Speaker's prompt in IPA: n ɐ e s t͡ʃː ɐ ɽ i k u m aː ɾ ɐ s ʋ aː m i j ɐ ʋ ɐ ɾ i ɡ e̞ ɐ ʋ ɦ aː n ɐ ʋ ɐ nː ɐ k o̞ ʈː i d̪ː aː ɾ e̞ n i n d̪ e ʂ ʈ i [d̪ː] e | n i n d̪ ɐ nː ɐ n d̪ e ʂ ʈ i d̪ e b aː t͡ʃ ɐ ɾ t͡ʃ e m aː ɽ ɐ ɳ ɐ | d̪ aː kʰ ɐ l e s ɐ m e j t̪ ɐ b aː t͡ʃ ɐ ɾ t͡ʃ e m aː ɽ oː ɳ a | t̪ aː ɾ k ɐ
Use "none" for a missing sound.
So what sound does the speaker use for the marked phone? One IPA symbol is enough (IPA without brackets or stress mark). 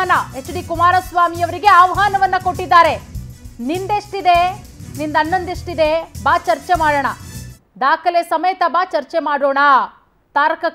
d̪